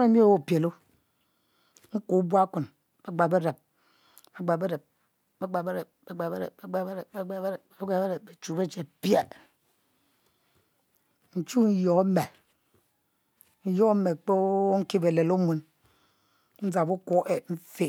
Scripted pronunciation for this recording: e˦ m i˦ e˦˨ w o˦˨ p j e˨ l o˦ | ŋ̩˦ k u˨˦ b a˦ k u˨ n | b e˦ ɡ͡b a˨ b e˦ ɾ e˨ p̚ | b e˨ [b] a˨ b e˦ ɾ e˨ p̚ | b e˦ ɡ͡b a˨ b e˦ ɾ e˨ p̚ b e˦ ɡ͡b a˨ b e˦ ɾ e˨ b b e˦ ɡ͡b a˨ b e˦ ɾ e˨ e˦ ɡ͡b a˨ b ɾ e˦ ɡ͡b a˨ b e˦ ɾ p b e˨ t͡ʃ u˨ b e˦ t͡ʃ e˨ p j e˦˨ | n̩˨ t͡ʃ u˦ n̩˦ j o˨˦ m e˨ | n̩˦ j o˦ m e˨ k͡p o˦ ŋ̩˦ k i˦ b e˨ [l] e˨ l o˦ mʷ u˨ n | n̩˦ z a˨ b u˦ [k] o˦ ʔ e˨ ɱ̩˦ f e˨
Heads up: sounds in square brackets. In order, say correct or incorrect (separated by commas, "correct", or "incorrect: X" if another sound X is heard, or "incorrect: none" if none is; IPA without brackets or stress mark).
incorrect: ɡ͡b, correct, correct